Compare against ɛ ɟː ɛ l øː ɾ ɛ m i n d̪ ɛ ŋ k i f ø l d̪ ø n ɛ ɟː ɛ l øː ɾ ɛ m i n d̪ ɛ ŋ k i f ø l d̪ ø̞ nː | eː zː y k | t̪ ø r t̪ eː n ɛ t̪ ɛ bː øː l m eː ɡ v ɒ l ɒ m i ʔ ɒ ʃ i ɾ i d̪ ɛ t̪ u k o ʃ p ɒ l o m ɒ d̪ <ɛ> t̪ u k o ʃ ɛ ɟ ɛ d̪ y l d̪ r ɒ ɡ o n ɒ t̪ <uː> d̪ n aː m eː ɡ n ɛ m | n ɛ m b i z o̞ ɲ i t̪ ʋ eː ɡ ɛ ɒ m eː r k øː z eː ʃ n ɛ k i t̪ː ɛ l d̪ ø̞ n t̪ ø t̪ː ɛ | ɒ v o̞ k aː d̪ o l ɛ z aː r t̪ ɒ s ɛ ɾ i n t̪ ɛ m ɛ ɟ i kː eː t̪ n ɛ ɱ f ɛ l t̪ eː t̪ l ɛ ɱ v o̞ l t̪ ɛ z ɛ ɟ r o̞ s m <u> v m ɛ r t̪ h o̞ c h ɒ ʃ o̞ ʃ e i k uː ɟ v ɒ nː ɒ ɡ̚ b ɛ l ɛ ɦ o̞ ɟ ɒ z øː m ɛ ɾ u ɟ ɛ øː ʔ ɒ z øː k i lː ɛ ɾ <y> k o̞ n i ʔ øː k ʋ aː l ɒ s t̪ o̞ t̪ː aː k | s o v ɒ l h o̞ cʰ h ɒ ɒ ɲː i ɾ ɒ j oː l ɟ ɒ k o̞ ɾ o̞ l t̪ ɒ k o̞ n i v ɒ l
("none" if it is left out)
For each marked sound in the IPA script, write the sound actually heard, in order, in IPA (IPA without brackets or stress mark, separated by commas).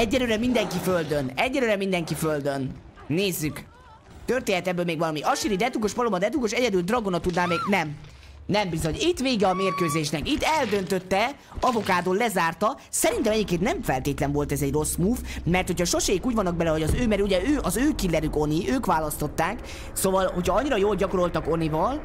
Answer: ɛ, u, uː, y